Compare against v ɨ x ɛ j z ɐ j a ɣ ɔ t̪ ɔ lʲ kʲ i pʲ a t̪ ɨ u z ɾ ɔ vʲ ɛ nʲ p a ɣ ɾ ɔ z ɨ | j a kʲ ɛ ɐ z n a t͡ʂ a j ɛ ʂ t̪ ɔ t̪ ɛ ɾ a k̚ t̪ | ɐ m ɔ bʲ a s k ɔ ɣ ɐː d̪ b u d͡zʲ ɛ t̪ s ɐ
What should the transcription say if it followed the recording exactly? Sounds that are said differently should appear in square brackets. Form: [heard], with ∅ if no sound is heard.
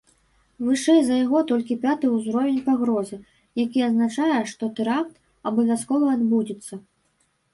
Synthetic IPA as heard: v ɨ [ʂ] ɛ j z ɐ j a ɣ ɔ t̪ ɔ lʲ kʲ i pʲ a t̪ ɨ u z ɾ ɔ vʲ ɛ nʲ p a ɣ ɾ ɔ z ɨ | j a kʲ [i] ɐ z n a t͡ʂ a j ɛ ʂ t̪ ɔ t̪ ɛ ɾ a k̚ t̪ | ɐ [b] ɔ [vʲ] a s k ɔ [v] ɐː d̪ b u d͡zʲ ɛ t̪ [sː] ɐ